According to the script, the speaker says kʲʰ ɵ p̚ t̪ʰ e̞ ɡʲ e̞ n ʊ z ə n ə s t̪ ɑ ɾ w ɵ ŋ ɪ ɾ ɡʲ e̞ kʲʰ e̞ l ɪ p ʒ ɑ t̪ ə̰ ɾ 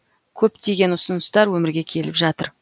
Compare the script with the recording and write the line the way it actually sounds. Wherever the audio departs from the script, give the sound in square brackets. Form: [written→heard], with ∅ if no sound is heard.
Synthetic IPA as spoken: kʲʰ ɵ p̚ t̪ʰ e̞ ɡʲ e̞ n ʊ [z→s] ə n ə s t̪ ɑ ɾ w ɵ [ŋ→m] ɪ ɾ ɡʲ e̞ kʲʰ e̞ l ɪ p ʒ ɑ t̪ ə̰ ɾ